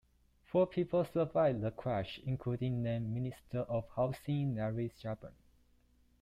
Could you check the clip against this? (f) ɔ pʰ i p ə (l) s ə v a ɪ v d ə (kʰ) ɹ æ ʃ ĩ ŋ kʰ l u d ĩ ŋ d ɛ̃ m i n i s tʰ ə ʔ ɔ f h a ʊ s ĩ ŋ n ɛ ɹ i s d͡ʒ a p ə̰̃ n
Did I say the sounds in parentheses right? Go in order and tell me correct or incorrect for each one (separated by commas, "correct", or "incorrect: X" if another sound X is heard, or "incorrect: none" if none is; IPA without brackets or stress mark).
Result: correct, correct, correct